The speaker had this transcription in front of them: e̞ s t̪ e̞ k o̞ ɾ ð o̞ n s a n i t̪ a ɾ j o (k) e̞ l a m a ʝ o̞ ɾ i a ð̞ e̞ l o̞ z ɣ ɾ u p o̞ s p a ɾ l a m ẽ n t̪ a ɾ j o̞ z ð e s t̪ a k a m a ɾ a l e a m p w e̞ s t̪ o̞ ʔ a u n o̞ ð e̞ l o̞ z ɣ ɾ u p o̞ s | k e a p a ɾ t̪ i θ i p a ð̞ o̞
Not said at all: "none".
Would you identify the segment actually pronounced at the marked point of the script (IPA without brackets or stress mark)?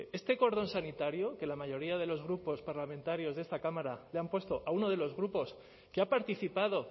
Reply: k